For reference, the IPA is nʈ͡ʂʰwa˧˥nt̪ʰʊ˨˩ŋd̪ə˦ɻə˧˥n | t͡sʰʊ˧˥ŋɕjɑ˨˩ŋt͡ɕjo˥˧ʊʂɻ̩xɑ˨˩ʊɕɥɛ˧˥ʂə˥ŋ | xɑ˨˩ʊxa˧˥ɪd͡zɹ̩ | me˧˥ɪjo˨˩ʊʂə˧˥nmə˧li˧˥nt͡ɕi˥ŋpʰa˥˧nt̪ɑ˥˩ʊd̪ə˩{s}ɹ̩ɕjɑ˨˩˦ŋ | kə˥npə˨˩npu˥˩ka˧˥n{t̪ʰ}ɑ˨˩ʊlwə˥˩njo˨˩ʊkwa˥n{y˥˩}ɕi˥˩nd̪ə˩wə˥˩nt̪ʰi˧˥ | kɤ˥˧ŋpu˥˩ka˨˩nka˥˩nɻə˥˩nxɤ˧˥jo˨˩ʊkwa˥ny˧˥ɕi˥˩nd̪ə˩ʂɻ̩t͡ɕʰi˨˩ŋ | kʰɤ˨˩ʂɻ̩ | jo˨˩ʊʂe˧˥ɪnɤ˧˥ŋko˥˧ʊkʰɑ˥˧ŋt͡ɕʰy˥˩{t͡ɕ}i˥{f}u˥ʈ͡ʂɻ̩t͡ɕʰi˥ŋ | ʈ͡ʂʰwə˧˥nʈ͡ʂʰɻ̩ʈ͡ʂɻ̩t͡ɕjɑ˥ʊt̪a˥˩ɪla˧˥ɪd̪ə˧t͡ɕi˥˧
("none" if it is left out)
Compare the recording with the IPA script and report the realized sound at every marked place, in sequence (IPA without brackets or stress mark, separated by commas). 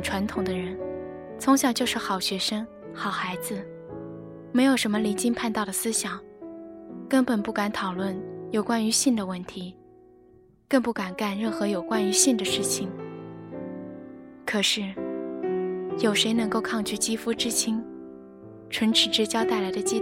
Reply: s, t̪ʰ, y˧˥, t͡ɕ, f